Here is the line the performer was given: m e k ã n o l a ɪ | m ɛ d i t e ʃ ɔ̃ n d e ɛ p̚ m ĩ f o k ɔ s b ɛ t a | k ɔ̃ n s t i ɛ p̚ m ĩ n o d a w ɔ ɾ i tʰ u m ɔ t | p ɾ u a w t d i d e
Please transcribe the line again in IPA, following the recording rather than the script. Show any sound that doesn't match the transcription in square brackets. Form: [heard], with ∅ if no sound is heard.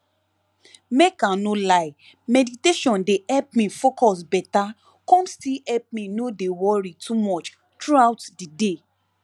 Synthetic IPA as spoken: m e k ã n o l a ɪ | m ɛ d i t e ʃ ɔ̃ n d e ɛ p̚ m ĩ f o k ɔ s b ɛ t a | k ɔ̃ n s t i ɛ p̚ m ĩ n o d [e] w ɔ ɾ i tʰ u m ɔ [t͡ʃ] | [t] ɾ u a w t d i d e

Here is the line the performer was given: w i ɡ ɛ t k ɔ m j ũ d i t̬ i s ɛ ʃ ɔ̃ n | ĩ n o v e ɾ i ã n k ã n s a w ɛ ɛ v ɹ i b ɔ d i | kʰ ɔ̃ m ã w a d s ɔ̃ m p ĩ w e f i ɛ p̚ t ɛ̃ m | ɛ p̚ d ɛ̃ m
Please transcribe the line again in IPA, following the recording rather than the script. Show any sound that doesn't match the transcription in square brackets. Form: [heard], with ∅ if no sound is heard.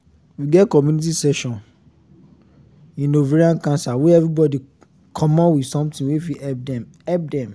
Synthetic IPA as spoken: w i ɡ ɛ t k ɔ m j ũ [n] i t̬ i s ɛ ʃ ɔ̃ n | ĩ n o v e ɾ i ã n k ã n s a w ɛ ɛ v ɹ i b ɔ d i | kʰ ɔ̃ m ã w [i] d s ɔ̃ m [t] ĩ w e f i ɛ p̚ [d] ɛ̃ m | ɛ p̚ d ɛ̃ m

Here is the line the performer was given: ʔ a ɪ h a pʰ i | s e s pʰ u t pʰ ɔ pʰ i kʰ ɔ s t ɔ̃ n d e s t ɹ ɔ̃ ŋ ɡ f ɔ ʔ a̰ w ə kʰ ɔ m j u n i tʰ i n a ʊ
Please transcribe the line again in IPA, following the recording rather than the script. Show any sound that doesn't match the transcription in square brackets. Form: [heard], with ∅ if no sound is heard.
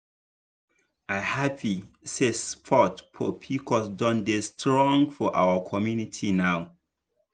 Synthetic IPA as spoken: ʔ a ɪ h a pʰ i | s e s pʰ [ɔ] t pʰ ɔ pʰ i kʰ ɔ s [d] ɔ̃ n d e s t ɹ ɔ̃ ŋ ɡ f ɔ ʔ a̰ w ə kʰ ɔ m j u n i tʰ i n a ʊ

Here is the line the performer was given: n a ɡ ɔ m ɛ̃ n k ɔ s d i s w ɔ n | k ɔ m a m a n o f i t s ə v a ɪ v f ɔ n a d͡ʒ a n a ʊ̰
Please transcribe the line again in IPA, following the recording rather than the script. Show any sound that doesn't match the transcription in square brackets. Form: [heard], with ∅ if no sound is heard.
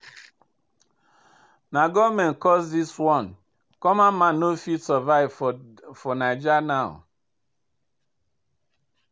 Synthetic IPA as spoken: n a ɡ ɔ m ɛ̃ n k ɔ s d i s w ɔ n | k ɔ m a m a n o f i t s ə v a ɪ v f ɔ n a d͡ʒ a n a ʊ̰

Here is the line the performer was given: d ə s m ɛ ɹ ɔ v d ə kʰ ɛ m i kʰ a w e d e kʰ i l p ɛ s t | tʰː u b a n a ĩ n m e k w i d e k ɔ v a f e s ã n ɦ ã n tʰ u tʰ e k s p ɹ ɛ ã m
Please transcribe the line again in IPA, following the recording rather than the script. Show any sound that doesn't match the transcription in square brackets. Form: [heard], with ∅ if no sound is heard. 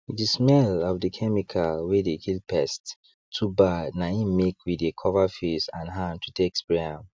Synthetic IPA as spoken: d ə s m ɛ [l] ɔ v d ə kʰ ɛ m i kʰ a w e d e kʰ i l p ɛ s t | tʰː u b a n a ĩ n m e k w i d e [kʰ] ɔ v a f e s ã n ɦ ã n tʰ u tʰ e k s p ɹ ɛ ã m

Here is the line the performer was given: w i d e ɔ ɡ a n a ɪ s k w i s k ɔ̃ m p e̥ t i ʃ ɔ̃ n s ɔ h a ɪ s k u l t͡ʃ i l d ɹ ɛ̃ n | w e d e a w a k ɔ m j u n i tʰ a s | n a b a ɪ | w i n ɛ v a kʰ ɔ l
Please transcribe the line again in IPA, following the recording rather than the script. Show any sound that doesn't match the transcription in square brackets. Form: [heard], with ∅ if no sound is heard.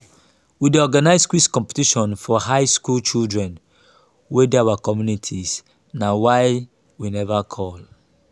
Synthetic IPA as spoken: w i d e ɔ ɡ a n a ɪ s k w i s k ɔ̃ m p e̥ t i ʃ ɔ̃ n [f] ɔ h a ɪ s k u l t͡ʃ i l d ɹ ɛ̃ n | w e d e a w a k ɔ m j u n i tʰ [i] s | n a [w] a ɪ | w i n ɛ v a kʰ ɔ l

